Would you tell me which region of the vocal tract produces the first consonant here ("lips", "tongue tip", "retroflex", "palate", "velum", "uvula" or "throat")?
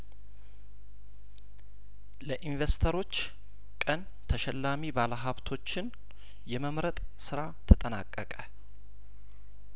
tongue tip